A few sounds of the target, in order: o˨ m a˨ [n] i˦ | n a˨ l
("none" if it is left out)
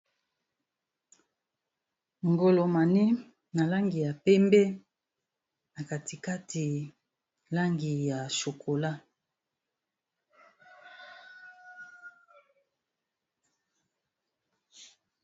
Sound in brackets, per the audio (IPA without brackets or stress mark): n